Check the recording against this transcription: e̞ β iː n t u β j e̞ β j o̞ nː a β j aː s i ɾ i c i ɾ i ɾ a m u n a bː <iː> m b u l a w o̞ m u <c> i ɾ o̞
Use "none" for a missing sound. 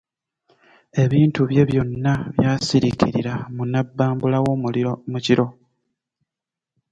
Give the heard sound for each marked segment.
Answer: aː, c

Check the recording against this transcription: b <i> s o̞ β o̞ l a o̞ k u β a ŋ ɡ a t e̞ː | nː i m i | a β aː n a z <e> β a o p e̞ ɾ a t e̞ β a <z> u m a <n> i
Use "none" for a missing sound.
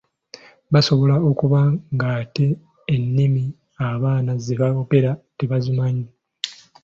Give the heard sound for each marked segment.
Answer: a, e, z, ɲ

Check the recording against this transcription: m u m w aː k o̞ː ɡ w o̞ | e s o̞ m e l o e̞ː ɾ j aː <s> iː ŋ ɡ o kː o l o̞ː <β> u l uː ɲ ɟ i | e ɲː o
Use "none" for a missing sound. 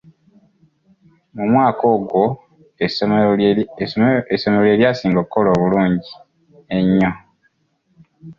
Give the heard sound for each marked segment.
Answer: s, β

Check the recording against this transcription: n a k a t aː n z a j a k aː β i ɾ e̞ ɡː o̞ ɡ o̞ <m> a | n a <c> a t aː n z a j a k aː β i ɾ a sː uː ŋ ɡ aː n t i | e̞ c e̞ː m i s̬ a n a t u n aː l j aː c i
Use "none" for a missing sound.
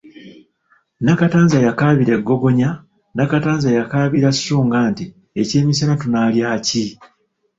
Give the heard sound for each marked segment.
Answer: ɲ, k

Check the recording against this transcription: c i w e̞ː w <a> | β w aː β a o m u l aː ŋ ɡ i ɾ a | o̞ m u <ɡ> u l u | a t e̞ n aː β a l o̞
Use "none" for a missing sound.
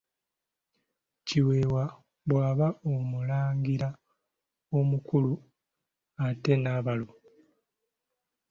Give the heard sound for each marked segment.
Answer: a, k

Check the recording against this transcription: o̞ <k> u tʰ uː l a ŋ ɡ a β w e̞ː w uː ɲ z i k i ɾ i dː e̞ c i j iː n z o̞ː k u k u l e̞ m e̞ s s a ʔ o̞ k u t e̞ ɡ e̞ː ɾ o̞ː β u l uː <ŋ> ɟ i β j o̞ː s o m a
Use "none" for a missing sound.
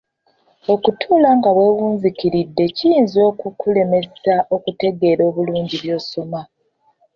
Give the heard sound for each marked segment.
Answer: k, ɲ

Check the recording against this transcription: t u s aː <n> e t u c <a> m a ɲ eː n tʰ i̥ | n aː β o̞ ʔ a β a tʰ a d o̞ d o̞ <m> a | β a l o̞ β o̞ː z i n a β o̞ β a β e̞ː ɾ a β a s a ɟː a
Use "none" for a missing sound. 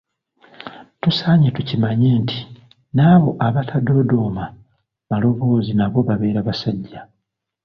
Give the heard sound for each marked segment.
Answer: ɲ, i, m

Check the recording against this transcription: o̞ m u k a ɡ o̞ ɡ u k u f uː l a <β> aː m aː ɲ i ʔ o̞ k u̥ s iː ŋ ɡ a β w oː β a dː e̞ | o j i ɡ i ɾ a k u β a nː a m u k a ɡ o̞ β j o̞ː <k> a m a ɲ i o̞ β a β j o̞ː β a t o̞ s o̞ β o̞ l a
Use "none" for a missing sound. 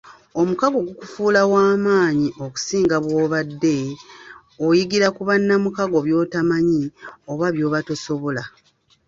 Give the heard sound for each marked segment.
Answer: w, t

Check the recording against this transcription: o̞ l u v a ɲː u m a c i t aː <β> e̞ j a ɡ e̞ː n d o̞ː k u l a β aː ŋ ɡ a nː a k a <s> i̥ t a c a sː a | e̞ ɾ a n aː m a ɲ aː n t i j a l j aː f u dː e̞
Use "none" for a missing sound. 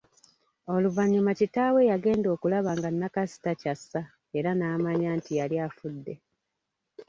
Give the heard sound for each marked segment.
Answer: w, s

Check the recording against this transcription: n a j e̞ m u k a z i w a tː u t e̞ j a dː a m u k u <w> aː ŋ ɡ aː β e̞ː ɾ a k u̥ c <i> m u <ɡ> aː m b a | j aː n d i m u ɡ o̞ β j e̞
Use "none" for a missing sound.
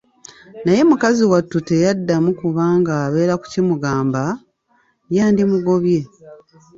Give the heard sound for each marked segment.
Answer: β, i, ɡ

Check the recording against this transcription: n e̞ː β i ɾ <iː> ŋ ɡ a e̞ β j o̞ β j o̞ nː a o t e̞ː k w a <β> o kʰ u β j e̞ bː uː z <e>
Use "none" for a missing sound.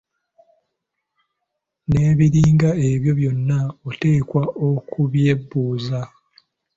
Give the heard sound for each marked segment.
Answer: iː, none, a

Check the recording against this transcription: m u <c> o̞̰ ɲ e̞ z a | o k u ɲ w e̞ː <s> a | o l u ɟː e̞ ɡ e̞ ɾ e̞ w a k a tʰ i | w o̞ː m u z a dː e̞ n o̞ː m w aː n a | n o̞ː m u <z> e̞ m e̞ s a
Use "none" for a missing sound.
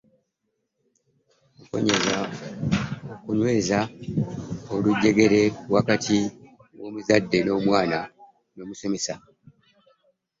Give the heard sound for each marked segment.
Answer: k, z, s

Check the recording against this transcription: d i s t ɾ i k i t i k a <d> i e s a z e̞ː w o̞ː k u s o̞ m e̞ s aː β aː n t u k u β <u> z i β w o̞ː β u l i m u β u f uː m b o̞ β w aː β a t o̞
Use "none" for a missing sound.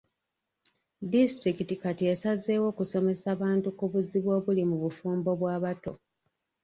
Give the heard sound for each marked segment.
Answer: t, u

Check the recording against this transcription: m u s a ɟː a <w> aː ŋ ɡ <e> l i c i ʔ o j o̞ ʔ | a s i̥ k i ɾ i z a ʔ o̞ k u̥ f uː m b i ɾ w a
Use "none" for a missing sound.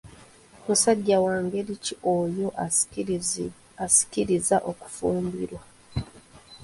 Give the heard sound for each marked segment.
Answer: w, e

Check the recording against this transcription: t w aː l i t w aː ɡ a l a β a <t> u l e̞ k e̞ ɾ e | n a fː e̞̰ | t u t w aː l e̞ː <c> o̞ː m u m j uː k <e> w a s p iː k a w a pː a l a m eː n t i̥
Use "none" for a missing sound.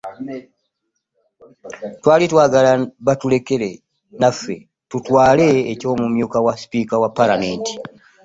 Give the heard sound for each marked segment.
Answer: t, c, a

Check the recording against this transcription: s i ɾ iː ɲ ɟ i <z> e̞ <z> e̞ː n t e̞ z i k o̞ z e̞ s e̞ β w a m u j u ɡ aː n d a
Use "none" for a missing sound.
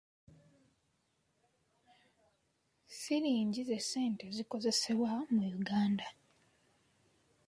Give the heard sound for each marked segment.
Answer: z, s

